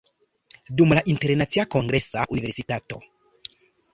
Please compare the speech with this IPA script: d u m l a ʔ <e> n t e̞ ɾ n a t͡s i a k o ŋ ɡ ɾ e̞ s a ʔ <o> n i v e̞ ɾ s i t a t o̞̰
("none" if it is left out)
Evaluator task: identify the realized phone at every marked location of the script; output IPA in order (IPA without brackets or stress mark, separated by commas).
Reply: i, u